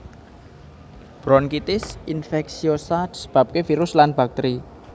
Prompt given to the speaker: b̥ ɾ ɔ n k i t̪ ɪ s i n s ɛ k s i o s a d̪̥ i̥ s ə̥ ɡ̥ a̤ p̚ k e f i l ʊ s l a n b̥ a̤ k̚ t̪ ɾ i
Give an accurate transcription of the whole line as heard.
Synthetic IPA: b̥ ɾ ɔ n k i t̪ ɪ s i n f ɛ k s i o s a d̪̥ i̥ s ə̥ b̥ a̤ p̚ k e f i ɾ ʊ s l a n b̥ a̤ k̚ t̪ ɾ i